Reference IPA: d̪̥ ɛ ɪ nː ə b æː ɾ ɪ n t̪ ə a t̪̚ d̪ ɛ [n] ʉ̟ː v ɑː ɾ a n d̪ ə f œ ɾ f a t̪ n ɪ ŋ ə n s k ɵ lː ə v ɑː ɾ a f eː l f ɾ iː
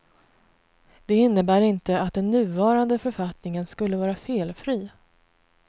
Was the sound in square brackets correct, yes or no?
no